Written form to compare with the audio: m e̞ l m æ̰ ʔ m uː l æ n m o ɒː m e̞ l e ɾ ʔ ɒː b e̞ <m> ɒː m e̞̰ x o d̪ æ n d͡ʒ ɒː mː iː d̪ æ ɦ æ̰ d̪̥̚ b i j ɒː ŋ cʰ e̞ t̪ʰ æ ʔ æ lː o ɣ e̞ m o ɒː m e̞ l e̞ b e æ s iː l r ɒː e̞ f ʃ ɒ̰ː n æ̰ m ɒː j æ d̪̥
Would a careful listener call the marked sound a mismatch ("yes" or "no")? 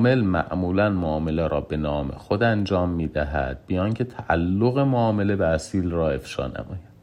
yes